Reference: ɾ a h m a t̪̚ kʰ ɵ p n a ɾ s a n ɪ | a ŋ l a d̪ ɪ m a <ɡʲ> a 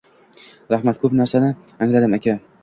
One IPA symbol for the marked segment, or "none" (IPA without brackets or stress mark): kʲ